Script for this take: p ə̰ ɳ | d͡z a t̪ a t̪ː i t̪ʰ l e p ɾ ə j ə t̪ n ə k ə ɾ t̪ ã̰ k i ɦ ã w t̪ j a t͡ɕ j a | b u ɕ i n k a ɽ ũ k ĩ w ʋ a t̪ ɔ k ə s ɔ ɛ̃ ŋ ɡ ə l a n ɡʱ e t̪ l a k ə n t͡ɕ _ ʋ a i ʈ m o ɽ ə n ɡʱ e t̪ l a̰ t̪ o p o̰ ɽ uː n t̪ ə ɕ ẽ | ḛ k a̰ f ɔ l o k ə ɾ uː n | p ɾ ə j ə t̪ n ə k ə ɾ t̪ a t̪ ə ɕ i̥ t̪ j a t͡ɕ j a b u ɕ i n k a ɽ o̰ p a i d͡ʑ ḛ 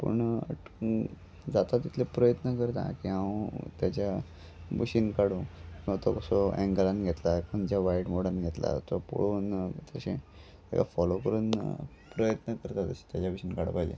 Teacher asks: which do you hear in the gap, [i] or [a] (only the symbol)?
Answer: a